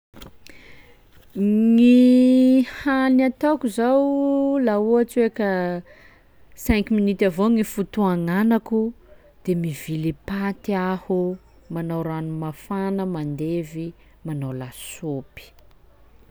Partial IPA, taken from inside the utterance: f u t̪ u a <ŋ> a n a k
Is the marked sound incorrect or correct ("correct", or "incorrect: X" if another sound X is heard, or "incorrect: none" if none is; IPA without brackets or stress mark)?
correct